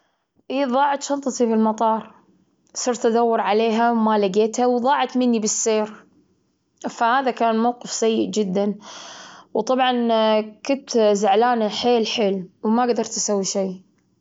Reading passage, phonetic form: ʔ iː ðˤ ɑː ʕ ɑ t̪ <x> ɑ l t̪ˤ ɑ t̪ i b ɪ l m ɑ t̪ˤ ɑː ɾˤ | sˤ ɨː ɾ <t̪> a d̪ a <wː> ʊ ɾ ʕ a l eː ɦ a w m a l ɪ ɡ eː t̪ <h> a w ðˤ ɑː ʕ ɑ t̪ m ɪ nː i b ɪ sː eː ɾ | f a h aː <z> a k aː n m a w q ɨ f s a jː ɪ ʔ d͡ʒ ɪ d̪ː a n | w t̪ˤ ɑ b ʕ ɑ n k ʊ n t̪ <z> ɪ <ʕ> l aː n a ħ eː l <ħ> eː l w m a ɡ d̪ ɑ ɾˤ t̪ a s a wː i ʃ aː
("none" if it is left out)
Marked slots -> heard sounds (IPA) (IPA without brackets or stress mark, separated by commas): ʃ, t̪, wː, h, ð, z, ʕ, ħ